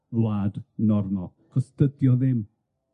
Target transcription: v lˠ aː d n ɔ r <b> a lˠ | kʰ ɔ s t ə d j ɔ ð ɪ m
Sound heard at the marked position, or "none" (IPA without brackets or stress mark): m